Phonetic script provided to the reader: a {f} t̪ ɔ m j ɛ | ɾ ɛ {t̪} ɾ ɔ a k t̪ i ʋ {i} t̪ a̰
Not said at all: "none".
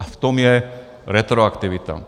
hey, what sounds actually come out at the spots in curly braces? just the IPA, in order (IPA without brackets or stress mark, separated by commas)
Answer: f, t̪, i